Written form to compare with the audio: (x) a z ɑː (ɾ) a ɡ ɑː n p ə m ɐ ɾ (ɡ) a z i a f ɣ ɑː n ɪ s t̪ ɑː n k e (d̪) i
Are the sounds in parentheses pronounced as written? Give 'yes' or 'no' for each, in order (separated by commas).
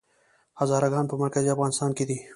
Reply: no, yes, no, yes